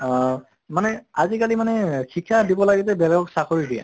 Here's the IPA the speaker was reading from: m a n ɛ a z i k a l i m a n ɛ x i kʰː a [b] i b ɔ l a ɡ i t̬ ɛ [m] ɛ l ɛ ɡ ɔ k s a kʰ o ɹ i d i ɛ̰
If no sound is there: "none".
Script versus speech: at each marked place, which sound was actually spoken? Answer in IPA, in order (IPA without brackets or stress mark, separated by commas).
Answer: d, b